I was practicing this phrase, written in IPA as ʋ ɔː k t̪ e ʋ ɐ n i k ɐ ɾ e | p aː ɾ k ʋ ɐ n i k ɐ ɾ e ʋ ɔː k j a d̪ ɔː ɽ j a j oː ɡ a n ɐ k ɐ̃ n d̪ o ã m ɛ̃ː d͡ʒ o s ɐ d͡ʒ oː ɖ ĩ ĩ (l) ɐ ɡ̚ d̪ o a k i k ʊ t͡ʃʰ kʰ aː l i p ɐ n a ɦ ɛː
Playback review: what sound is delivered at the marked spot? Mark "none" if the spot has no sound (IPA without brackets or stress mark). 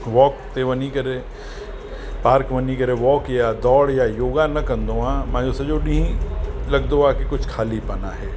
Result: l